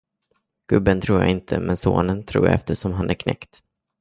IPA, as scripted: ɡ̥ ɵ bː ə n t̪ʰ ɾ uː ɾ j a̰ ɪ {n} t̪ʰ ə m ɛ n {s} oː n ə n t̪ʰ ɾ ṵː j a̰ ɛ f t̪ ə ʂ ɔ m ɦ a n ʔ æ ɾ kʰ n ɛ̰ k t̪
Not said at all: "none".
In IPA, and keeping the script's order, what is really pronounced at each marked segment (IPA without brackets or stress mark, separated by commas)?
n, s